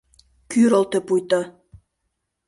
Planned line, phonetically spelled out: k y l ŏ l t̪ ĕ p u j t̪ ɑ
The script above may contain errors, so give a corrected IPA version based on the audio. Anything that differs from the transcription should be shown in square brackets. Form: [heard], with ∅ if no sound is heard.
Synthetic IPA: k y [ɾ] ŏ l t̪ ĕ p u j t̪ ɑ